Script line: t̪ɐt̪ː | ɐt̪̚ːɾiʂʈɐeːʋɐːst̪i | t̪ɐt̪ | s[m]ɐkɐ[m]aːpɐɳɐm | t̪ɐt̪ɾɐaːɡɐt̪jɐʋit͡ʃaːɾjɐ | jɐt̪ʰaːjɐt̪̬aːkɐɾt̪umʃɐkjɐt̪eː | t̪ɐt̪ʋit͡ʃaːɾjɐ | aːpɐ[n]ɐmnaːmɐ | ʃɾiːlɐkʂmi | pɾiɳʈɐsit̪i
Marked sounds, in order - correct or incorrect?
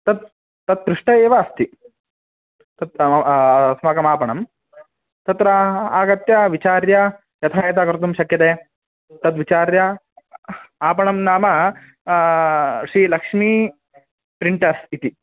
correct, correct, incorrect

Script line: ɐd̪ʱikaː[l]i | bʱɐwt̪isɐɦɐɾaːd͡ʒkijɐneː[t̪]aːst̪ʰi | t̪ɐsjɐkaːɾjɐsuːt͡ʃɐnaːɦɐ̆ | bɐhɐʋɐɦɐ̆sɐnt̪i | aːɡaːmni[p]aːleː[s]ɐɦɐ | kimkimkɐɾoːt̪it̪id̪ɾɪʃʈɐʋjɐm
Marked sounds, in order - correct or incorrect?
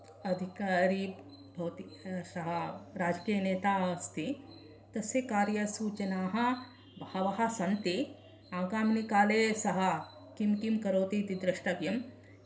incorrect, correct, incorrect, correct

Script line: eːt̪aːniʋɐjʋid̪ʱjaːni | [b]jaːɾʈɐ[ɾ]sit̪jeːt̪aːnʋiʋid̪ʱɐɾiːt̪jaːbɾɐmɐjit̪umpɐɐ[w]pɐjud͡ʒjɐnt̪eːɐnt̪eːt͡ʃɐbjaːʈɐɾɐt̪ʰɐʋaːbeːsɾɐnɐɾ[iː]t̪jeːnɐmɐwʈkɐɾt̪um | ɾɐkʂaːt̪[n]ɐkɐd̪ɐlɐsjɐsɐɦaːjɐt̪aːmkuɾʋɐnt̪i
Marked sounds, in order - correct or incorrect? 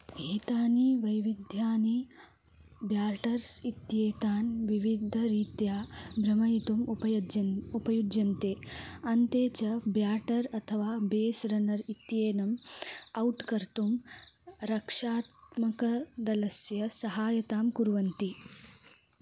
correct, correct, incorrect, incorrect, incorrect

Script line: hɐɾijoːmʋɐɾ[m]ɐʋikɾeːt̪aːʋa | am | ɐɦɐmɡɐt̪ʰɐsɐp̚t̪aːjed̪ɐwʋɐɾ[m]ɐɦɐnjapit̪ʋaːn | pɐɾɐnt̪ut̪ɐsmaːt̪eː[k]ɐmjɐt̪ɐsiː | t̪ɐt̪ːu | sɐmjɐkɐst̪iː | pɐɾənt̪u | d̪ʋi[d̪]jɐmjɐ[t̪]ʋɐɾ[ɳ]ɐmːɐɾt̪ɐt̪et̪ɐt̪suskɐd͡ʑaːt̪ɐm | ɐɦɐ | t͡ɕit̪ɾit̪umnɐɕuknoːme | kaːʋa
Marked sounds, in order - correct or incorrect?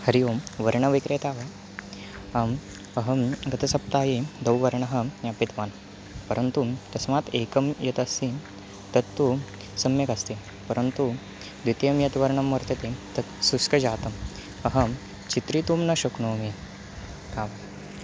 incorrect, incorrect, correct, incorrect, correct, correct

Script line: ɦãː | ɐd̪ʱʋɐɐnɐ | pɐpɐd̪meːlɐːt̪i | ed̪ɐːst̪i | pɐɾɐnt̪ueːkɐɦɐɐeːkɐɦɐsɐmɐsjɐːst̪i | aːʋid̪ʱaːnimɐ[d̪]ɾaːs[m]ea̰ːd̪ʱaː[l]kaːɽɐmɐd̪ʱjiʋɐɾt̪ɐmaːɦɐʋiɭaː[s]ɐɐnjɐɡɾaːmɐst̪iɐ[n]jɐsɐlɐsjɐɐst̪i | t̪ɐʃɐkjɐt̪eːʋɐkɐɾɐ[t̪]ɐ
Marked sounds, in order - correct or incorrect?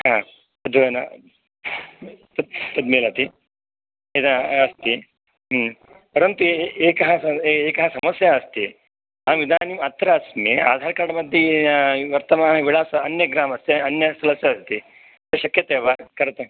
incorrect, correct, incorrect, correct, correct, correct

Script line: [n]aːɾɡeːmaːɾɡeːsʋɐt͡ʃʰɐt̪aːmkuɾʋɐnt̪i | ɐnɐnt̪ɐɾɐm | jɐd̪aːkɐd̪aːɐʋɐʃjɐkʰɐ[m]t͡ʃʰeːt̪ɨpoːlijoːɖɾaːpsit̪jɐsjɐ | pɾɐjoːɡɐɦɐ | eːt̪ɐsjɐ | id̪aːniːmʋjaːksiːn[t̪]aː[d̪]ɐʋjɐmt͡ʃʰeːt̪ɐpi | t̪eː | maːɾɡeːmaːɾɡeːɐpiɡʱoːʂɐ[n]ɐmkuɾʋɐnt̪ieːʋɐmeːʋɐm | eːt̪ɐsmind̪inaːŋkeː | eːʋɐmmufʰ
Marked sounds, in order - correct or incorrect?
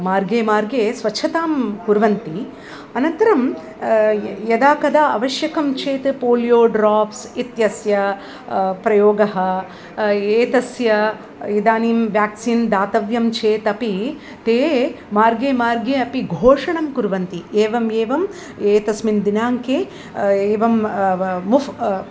incorrect, correct, incorrect, incorrect, incorrect

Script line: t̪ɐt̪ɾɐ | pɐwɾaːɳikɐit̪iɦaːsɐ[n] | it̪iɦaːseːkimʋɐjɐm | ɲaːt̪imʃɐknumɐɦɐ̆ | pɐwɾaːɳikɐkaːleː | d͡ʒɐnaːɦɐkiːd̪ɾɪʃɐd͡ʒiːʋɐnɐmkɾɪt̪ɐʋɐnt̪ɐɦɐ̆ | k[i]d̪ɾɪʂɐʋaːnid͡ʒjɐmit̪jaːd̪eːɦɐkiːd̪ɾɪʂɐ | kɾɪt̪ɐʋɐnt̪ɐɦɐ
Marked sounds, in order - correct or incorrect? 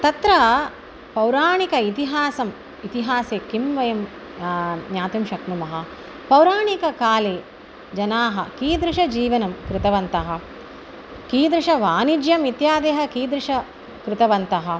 incorrect, incorrect

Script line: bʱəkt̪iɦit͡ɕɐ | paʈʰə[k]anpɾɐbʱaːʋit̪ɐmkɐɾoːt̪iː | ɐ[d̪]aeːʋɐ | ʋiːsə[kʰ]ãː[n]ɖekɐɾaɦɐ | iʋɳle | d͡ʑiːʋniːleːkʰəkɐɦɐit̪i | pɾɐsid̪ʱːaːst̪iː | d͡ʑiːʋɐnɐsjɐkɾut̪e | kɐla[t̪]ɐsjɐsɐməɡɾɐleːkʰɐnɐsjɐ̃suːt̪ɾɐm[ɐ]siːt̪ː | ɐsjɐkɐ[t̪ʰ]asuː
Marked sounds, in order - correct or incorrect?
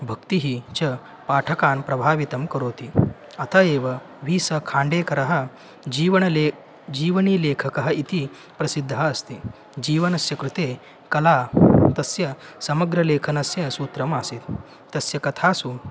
correct, incorrect, correct, incorrect, correct, incorrect, correct

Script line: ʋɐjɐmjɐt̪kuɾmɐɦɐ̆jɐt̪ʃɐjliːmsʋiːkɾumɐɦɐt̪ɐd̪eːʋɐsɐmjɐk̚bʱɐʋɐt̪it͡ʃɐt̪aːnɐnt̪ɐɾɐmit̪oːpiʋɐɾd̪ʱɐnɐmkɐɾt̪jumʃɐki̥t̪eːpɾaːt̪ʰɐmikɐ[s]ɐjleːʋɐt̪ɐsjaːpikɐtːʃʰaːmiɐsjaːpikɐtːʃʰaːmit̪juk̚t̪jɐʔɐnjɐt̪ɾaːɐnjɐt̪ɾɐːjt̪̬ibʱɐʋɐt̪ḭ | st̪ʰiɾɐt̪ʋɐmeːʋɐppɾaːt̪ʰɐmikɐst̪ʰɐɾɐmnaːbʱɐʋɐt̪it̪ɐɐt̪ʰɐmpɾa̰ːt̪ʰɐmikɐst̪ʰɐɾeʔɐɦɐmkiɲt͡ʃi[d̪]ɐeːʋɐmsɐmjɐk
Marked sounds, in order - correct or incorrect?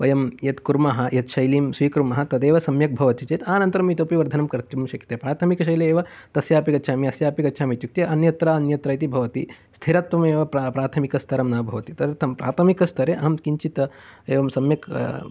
incorrect, incorrect

